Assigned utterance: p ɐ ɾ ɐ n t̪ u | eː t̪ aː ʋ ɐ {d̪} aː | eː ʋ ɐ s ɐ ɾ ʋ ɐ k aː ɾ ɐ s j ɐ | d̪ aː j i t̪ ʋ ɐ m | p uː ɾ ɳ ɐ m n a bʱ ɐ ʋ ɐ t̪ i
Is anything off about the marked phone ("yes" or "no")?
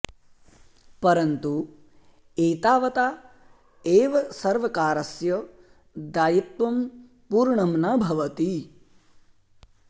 yes